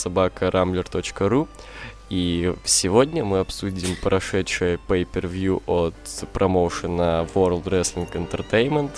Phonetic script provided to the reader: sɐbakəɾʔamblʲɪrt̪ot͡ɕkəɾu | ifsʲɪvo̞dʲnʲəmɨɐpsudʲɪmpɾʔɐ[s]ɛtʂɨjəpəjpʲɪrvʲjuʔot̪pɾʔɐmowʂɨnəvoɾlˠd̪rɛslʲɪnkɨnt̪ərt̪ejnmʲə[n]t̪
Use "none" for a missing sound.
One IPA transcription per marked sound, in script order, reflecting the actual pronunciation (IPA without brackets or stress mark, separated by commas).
ʂ, n